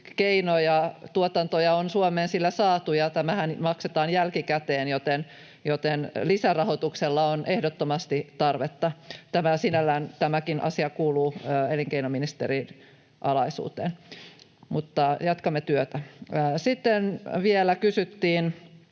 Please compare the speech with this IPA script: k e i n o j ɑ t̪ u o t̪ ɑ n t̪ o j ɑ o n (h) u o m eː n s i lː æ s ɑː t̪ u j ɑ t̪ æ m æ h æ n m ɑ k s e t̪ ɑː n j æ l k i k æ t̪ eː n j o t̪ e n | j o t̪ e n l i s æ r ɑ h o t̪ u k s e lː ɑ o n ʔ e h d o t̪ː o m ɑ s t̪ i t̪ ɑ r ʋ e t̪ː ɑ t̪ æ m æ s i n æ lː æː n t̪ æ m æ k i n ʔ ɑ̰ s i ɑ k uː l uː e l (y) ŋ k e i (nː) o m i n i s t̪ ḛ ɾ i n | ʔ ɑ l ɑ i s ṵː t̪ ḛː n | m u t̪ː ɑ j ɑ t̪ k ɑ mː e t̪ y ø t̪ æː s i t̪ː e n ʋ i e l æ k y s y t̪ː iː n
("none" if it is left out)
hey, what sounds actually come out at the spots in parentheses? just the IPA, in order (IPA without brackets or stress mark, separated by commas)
s, i, n